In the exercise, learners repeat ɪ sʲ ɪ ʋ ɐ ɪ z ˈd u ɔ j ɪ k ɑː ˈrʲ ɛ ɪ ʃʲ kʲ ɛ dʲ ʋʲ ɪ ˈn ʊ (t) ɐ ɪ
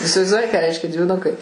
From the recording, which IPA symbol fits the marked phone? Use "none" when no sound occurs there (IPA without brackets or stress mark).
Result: k